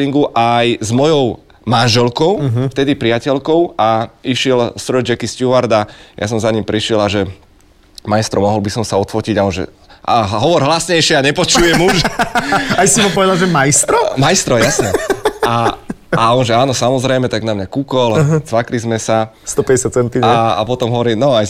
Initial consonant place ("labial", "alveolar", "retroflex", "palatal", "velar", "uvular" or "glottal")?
velar